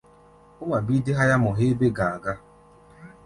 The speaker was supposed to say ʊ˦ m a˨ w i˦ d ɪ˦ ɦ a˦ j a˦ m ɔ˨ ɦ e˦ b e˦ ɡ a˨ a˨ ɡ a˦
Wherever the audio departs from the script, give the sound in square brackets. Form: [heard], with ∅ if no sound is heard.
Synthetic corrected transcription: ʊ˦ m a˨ [b] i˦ d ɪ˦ ɦ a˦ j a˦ m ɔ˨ ɦ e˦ b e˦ ɡ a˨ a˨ ɡ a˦